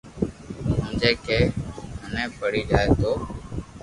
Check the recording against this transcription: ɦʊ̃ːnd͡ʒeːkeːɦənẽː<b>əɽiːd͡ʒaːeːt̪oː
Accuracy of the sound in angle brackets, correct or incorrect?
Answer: incorrect